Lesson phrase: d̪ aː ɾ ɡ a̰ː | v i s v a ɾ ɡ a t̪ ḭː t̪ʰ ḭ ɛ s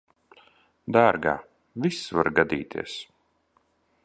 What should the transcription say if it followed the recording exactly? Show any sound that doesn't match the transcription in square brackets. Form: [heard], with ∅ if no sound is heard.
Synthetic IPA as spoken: d̪ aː ɾ ɡ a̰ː | v i s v a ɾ ɡ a [d̪] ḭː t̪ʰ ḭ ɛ s